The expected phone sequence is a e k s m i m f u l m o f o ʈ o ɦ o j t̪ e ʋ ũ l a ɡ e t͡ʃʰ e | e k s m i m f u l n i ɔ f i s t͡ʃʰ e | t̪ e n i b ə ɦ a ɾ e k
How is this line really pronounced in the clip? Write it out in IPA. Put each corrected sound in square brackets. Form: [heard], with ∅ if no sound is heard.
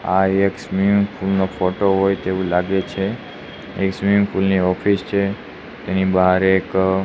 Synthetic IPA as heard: a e k s m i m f u l [n] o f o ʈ o ɦ o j t̪ e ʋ ũ l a ɡ e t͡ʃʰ e | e k s m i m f u l n i ɔ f i s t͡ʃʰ e | t̪ e n i b ə ɦ a ɾ e k